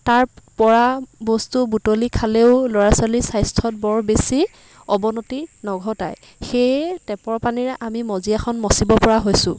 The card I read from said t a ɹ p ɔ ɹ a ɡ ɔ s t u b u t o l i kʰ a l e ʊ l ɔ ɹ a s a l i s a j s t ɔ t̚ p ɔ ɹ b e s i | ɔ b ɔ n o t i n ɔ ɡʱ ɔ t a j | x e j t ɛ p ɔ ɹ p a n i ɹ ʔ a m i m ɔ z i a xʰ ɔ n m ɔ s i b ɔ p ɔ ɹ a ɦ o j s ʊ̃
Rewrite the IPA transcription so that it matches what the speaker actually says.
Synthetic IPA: t a ɹ p ɔ ɹ a b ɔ s t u b u t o l i kʰ a l e ʊ l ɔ ɹ a s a l i s a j s tʰ ɔ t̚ b ɔ ɹ b e s i | ɔ b ɔ n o t i n ɔ ɡʱ ɔ t a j | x e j t ɛ p ɔ ɹ p a n i ɹ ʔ a m i m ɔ z i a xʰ ɔ n m ɔ s i b ɔ p ɔ ɹ a ɦ o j s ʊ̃